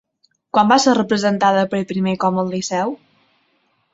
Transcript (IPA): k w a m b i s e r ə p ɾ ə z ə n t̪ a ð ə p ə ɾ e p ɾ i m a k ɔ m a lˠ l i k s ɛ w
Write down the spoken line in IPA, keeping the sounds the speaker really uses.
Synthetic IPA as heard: k w a m b a s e r ə p ɾ ə z ə n t̪ a ð ə p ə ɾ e p ɾ i m e k ɔ m ə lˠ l i s ɛ w

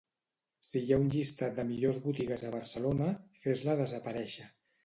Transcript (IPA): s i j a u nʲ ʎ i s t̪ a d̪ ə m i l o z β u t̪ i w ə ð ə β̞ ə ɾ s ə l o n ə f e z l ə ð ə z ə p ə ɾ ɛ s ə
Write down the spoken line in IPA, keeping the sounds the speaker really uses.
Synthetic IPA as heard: s i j a u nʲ ʎ i s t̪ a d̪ ə m i ʎ o z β u t̪ i ɣ ə z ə β̞ ə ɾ s ə l o n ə f e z l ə ð ə z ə p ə ɾ ɛ ʃ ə

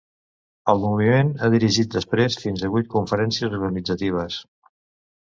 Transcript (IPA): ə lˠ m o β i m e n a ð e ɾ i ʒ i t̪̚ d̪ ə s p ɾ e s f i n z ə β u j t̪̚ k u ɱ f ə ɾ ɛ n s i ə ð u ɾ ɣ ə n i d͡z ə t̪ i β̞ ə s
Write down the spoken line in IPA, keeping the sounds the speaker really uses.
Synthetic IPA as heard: ə lˠ m u β i m e n a ð i ɾ i ʒ i t̪̚ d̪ ə s p ɾ e s f i n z ə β u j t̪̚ k u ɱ f ə ɾ ɛ n s i ə z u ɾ ɣ ə n i d͡z ə t̪ i β̞ ə s

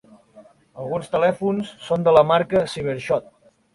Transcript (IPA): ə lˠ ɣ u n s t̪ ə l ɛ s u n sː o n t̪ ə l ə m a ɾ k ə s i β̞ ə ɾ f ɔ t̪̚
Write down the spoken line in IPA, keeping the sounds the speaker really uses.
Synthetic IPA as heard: ə lˠ ɣ u n s t̪ ə l ɛ f u n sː o n d̪ ə l ə m a ɾ k ə s i β̞ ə ɾ ʃ ɔ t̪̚

